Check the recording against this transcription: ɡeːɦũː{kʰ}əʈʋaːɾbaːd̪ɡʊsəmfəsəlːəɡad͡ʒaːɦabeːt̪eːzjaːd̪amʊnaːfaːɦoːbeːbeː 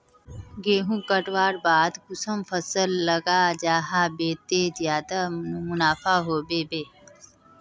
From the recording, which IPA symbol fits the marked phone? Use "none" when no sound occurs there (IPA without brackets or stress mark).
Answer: k